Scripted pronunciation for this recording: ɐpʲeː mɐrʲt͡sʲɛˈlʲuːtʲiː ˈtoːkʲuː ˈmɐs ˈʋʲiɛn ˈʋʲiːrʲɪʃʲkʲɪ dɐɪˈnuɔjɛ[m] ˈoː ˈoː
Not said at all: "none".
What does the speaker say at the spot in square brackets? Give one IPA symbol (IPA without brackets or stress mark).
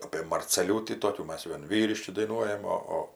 m